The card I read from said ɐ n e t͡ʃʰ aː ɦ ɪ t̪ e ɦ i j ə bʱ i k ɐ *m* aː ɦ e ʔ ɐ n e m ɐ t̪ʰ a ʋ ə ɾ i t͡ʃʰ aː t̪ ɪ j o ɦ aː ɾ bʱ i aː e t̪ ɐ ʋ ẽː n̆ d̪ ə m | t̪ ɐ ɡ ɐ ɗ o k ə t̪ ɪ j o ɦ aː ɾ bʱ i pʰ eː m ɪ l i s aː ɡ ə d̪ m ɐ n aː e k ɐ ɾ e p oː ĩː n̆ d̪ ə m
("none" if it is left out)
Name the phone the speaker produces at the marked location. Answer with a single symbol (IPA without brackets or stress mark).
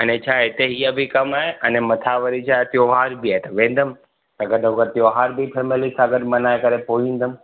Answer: m